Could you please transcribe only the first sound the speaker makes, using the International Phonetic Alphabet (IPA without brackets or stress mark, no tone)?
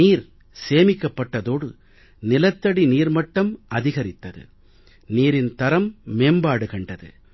iː